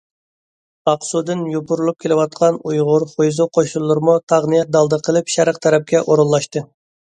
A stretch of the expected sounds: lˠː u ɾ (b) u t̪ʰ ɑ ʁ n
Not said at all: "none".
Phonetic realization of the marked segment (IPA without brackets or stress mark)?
m